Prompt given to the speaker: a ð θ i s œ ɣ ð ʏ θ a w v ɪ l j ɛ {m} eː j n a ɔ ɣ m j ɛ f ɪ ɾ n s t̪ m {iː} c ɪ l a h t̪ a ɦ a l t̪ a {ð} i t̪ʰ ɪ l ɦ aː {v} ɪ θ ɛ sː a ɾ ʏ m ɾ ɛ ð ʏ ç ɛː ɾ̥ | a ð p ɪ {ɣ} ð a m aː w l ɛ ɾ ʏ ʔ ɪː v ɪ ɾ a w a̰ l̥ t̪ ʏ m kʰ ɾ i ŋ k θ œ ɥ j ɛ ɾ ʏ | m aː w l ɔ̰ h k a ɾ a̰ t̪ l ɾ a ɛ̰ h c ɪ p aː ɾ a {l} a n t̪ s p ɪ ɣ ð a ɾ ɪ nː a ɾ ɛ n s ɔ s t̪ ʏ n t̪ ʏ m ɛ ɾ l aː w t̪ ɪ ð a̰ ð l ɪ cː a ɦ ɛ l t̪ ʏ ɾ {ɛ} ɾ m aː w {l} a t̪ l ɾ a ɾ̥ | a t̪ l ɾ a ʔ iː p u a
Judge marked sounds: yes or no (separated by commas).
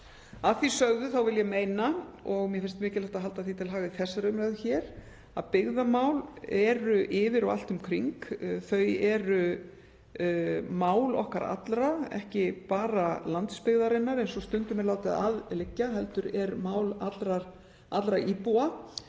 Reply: yes, no, no, no, yes, yes, yes, yes